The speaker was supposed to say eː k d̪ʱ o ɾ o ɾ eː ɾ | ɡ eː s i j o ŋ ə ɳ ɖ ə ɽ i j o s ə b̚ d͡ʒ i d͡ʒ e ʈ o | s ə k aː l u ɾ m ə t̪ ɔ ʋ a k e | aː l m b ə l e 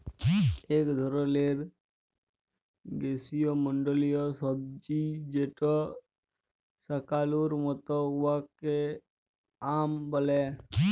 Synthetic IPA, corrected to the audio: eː k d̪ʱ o ɾ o l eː ɾ | ɡ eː s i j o m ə ɳ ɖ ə l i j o s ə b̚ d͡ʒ i d͡ʒ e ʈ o | s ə k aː l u ɾ m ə t̪ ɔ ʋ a k e | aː m b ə l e